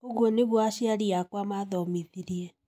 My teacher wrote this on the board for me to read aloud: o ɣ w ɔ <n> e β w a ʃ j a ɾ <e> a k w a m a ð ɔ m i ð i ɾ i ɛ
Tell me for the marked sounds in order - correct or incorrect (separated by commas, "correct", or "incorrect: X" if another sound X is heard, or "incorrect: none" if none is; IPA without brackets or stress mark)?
correct, incorrect: i